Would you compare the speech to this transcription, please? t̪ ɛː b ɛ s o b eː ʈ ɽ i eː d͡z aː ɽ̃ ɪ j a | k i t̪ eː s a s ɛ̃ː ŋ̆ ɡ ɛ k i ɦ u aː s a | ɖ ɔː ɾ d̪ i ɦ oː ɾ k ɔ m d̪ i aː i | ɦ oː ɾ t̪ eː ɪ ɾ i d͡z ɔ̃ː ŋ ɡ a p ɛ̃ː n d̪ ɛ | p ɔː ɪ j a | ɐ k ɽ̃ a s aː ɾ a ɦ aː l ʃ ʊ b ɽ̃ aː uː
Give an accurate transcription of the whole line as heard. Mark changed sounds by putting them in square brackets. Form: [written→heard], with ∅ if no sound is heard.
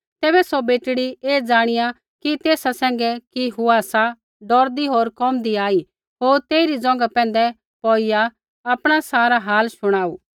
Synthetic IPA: t̪ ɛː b ɛ s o b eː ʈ ɽ i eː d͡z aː ɽ̃ ɪ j a | k i t̪ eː s a s ɛ̃ː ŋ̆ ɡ ɛ k i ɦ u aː s a | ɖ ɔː ɾ d̪ i ɦ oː ɾ k ɔ m d̪ i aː i | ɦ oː ɾ t̪ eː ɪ ɾ i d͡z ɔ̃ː ŋ ɡ a p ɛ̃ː n d̪ ɛ | p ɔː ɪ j a | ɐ [k→p] ɽ̃ a s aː ɾ a ɦ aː l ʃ ʊ [b→∅] ɽ̃ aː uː